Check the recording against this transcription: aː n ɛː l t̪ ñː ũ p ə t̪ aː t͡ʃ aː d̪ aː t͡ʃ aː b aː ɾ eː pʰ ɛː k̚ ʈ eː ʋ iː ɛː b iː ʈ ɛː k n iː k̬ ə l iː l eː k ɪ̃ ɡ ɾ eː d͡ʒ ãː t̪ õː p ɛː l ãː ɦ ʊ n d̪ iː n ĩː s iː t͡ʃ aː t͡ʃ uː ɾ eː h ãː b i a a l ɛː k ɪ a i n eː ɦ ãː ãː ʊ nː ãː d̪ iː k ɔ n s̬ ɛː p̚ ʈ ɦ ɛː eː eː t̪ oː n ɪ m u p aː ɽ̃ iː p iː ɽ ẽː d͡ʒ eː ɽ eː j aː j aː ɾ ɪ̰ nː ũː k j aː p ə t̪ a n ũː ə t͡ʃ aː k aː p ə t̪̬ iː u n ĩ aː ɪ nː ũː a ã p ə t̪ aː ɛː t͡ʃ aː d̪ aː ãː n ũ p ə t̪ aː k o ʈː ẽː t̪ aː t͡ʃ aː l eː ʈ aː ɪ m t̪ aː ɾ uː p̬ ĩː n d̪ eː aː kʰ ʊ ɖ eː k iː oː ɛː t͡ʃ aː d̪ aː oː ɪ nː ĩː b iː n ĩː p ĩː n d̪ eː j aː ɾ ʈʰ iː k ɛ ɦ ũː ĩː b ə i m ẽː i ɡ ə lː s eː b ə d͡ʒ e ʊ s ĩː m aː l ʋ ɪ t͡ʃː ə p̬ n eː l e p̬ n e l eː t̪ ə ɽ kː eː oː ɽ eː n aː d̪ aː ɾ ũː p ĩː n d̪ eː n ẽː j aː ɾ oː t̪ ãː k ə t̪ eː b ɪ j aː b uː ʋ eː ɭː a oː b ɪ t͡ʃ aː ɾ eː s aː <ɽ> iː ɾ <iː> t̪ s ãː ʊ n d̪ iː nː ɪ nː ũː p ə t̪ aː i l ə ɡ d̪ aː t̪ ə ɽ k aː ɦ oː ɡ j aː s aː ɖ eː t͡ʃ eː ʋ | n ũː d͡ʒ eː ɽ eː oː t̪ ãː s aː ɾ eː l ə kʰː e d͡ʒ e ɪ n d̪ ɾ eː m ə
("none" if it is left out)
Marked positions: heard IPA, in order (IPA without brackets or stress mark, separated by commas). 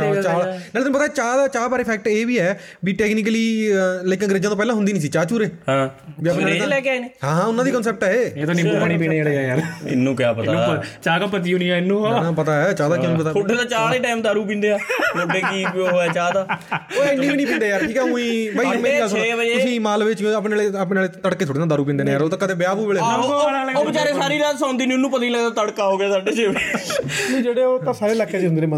ɾ, aː